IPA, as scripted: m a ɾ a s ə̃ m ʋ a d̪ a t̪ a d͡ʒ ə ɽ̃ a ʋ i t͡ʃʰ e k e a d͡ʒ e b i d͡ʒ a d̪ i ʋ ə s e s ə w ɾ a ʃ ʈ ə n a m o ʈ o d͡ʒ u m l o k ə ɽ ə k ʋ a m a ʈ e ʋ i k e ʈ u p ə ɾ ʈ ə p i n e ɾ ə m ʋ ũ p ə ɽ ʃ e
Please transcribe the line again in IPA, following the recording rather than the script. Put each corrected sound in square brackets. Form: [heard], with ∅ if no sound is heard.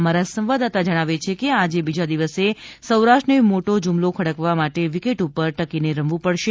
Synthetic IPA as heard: m a ɾ a s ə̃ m ʋ a d̪ a t̪ a d͡ʒ ə ɽ̃ a ʋ [e] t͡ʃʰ e k e a d͡ʒ e b i d͡ʒ a d̪ i ʋ ə s e s ə w ɾ a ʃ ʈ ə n [e] m o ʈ o d͡ʒ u m l o [kʰ] ə ɽ ə k ʋ a m a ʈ e ʋ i k e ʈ u p ə ɾ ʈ ə [k] i n e ɾ ə m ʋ ũ p ə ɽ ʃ e